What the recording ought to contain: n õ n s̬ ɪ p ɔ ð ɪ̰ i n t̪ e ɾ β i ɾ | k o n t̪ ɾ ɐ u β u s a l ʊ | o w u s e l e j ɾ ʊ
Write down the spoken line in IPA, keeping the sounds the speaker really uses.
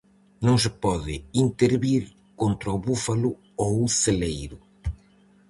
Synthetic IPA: n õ ŋ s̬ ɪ p ɔ ð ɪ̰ i n t̪ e ɾ β i ɾ | k o n t̪ ɾ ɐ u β u f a l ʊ | o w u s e l e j ɾ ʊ